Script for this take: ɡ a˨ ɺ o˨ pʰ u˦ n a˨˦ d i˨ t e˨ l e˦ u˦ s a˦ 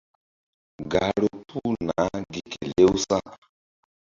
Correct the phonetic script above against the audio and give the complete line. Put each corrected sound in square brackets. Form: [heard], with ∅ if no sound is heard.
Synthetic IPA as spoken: ɡ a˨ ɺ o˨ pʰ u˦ n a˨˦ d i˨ [k] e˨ l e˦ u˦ s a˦